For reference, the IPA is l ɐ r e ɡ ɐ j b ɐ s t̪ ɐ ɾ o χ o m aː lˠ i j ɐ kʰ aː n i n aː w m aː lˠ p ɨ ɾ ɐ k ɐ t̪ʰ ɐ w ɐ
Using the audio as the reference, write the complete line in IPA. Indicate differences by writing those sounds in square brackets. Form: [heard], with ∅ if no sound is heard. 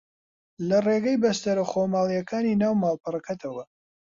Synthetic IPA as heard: l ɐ r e ɡ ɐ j b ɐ s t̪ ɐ ɾ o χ o m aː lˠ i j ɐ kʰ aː n i n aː w m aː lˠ p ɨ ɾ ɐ k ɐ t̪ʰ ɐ w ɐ